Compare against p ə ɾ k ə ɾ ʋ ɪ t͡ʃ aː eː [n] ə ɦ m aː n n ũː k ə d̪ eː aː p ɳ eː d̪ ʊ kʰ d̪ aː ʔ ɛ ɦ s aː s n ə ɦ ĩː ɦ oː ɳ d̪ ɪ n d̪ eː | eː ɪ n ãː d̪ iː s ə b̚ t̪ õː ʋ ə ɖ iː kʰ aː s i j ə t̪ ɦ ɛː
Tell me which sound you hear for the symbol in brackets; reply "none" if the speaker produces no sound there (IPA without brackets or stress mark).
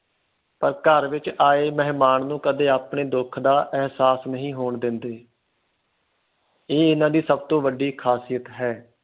m